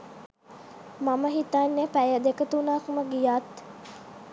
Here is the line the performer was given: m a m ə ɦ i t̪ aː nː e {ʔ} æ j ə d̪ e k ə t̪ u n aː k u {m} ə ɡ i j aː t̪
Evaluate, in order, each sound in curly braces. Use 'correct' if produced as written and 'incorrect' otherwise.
incorrect, correct

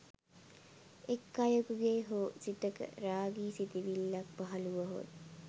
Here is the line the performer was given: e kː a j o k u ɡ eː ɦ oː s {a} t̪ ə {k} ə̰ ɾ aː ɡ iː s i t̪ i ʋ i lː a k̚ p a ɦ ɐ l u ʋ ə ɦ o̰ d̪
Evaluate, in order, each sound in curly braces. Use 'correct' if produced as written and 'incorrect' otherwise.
incorrect, correct

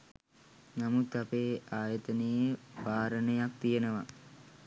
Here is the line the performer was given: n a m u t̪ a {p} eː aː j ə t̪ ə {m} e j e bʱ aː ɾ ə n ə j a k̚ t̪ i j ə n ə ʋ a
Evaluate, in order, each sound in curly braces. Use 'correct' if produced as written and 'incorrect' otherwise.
correct, incorrect

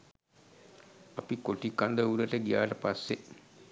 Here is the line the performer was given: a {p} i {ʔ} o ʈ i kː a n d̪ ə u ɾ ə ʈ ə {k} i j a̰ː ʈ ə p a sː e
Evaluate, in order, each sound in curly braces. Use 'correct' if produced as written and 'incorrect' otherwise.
correct, incorrect, incorrect

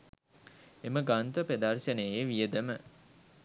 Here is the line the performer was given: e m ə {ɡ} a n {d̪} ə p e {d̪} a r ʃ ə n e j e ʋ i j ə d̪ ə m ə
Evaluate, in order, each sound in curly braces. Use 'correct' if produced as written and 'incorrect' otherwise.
correct, incorrect, correct

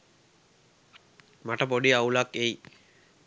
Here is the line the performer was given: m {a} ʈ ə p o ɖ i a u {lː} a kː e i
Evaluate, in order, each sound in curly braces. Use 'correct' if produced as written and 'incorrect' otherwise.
correct, incorrect

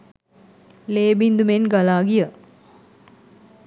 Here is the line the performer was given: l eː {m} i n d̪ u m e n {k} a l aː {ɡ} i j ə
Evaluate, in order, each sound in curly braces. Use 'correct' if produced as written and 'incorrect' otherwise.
incorrect, incorrect, correct

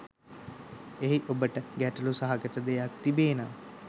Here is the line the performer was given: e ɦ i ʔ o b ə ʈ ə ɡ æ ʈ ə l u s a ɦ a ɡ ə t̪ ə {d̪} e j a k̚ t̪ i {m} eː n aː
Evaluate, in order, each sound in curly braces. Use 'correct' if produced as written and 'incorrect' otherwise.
correct, incorrect

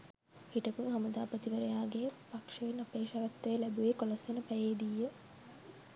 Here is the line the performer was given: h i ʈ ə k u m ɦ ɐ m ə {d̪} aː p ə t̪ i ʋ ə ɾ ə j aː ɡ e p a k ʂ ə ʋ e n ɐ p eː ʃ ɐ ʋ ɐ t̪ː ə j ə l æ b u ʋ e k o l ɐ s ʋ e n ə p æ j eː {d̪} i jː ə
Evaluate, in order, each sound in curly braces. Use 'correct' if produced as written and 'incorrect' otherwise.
correct, correct

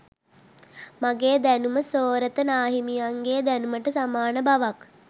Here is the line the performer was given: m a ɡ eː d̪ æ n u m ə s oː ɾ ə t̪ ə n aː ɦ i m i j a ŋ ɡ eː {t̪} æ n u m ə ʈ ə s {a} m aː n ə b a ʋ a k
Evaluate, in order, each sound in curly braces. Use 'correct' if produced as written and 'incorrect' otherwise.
incorrect, correct

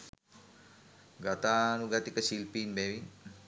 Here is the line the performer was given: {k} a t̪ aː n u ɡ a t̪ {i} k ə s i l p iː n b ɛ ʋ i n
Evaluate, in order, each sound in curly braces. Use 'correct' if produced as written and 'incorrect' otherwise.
incorrect, correct

